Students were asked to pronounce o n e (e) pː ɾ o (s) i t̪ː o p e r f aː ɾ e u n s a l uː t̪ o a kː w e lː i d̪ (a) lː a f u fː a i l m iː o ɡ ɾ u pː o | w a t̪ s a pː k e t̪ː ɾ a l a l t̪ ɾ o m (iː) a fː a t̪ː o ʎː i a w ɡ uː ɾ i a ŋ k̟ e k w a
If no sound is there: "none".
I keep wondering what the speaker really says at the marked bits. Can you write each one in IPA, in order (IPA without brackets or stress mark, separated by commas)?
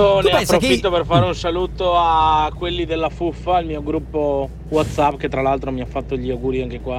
a, f, e, i